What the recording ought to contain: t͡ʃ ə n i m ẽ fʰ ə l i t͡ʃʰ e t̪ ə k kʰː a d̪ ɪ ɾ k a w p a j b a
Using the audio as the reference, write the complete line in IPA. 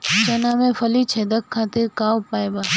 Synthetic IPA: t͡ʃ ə n a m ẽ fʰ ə l i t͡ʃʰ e d̪ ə k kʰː a t̪ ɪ ɾ k a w p a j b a